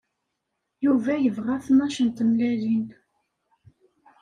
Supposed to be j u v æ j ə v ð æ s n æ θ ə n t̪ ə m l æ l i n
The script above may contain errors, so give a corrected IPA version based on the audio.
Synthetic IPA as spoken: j u v æ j ə v ʁ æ θ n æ ʃ ə n t̪ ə m l æ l i n